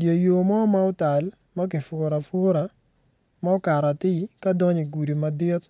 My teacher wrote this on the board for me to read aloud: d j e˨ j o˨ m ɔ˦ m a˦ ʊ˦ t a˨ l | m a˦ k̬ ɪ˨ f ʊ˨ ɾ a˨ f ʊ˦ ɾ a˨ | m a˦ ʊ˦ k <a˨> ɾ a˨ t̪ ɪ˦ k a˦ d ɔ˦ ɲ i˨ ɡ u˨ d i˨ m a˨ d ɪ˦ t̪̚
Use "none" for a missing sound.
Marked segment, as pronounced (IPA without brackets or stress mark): a˨